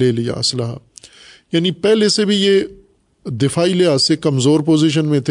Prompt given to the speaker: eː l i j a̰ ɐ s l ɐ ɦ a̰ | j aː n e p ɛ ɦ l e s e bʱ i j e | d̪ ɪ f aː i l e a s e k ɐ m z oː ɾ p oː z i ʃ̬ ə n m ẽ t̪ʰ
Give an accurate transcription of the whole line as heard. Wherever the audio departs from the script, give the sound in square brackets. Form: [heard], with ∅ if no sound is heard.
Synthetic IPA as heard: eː l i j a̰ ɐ s l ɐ ɦ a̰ | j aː n [i] p ɛ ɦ l e s e bʱ i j e | d̪ ɪ f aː i l e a s e k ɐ m z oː ɾ p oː z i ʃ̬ ə n m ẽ t̪ʰ